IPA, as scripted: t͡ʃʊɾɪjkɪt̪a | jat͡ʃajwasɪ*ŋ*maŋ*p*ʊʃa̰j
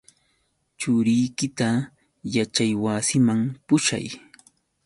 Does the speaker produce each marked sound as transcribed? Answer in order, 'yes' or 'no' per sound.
no, yes

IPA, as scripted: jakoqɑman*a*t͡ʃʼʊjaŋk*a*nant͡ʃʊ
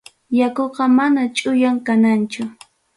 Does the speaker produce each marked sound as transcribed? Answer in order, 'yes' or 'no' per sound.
yes, yes

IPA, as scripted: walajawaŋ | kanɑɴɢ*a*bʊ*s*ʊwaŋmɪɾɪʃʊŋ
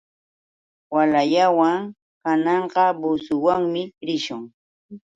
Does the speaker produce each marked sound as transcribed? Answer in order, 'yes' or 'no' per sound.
no, yes

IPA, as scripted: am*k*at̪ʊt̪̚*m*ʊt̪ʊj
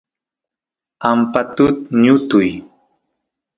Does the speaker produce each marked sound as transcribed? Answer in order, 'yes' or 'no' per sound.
no, no

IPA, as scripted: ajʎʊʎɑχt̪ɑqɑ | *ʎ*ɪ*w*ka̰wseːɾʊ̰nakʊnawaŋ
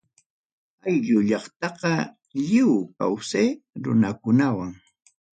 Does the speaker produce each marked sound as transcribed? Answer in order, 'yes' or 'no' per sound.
yes, yes

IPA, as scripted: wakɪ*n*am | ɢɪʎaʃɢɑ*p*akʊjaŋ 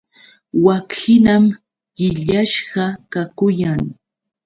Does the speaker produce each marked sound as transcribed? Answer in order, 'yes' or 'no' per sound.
yes, no

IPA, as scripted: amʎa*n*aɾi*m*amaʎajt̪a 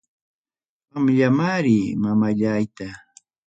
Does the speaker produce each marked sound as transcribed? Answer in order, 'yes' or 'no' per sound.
no, yes

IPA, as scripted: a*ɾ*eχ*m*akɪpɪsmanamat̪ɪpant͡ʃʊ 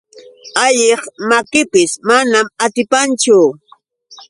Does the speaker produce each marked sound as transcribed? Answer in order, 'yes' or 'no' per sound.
no, yes

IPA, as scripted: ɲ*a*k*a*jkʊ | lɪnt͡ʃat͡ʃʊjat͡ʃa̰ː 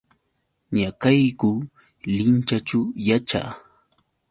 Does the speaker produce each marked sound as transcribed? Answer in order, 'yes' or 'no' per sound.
yes, yes

